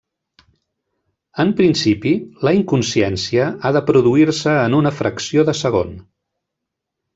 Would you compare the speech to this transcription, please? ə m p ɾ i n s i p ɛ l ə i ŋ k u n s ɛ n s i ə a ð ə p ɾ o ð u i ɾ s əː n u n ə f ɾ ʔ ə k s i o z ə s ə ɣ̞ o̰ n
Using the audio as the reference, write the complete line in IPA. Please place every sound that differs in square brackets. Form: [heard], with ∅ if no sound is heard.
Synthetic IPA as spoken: ə m p ɾ i n s i p [i] l ə i ŋ k u n s ɛ n s i ə a ð ə p ɾ [u] ð u i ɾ s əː n u n ə f ɾ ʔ ə k s i o [ð] ə s ə ɣ̞ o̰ n